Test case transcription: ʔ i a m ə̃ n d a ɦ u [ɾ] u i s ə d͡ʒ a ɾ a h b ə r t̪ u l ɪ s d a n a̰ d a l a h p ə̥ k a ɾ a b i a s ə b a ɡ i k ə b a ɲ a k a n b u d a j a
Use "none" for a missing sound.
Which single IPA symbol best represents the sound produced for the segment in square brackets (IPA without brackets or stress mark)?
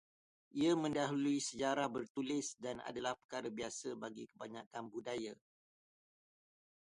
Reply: l